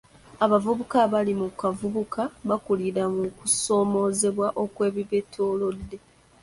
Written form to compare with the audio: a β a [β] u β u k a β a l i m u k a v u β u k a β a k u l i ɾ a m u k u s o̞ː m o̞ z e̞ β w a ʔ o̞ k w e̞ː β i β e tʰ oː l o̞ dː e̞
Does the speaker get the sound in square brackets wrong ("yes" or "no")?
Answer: yes